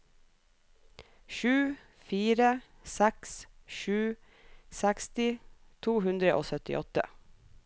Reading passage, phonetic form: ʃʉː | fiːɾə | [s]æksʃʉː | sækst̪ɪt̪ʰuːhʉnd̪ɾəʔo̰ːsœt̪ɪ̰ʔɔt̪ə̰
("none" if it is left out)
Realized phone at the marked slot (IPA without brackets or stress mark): s